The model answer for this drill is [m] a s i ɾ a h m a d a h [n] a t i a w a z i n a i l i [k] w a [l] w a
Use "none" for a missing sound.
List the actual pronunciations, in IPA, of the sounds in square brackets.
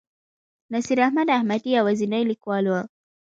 n, m, k, l

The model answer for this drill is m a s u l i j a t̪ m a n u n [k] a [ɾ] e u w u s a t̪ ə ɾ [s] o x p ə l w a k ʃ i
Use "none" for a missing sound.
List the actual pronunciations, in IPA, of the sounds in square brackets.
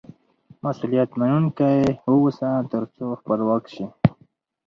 k, none, t͡s

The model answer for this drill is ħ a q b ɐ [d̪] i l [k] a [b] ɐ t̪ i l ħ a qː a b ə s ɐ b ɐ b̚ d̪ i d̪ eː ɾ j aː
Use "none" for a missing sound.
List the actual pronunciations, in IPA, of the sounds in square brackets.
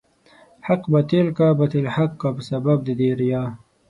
t̪, k, b

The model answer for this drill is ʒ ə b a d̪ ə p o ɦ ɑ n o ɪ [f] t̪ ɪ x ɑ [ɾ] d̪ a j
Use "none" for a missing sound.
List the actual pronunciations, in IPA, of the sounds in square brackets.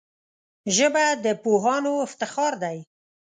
f, ɾ

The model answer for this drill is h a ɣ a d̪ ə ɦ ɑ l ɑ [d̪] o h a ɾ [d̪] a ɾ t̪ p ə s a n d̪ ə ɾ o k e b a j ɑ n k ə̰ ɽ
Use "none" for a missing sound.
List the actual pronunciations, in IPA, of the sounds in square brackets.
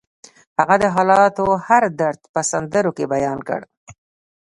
t̪, d̪

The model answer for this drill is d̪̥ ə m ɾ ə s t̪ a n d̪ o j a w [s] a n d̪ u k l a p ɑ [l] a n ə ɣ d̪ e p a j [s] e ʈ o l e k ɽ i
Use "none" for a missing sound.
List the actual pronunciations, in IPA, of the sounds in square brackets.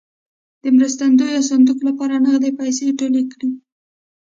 s, ɾ, s

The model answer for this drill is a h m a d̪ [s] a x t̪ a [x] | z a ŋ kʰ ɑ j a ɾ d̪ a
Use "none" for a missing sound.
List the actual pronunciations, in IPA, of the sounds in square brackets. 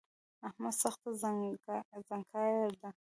s, none

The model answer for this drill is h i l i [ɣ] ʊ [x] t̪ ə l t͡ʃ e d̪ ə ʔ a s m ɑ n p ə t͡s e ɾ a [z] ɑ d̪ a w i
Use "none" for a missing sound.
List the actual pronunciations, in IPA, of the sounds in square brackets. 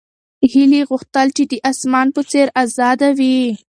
ɣ, x, z

